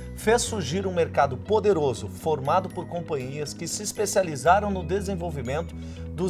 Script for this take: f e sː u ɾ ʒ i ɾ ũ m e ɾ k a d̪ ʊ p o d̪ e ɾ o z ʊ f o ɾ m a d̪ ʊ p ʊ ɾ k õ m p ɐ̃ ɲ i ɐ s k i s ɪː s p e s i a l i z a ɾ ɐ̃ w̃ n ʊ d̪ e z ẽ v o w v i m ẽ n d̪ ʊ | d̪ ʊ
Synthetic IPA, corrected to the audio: f e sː u ɾ ʒ i ɾ ũ m e ɾ k a d̪ ʊ p o d̪ e ɾ o z ʊ f o ɾ m a d̪ ʊ p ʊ ɾ k õ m p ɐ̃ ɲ i ɐ s k ɪ s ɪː s p e s i a l i z a ɾ ɐ̃ w̃ n ʊ d̪ e z ẽ v o w v i m ẽ n t̪ ʊ | d̪ ʊ